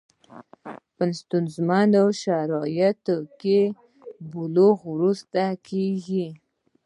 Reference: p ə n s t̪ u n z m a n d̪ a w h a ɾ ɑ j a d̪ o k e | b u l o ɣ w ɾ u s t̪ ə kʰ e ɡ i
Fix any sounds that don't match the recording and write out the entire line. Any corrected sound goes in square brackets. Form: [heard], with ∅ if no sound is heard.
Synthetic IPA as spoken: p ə n s t̪ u n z m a n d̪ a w [ʃ] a ɾ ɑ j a [t̪] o k e | b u l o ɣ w ɾ u s t̪ [a] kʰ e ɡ i